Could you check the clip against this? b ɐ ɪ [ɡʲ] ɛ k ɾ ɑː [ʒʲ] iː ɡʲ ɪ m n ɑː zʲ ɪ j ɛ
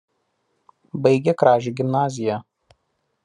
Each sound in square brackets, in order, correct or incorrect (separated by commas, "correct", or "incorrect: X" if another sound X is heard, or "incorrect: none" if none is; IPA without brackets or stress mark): correct, correct